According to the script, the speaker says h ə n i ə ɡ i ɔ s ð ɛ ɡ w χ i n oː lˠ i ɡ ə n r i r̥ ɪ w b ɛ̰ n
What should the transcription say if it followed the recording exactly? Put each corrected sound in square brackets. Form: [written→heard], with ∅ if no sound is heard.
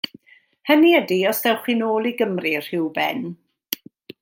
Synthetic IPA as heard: h ə n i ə [ɡ→d] i ɔ s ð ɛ [ɡ→∅] w χ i n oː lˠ i ɡ ə [n→m] r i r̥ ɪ w b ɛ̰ n